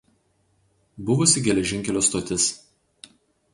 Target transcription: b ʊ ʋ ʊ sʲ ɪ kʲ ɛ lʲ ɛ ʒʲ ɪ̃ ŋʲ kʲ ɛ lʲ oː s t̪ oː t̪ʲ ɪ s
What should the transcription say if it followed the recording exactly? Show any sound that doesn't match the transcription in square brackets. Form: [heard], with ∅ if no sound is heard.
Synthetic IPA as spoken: b ʊ ʋ ʊ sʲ ɪ [ɡʲ] ɛ lʲ ɛ ʒʲ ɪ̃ ŋʲ kʲ ɛ lʲ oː s t̪ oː t̪ʲ ɪ s